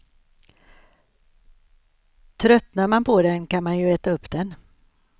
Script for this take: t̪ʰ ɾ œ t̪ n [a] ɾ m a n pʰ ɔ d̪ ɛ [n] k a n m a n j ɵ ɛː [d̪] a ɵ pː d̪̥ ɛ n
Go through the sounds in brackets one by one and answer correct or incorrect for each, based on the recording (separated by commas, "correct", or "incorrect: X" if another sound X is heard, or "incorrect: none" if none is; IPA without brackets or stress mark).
correct, correct, incorrect: t̪